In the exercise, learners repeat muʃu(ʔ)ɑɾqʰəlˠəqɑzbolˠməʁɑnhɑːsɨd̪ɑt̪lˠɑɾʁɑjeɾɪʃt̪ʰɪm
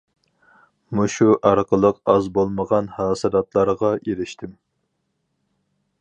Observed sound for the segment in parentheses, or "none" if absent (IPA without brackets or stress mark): ʔ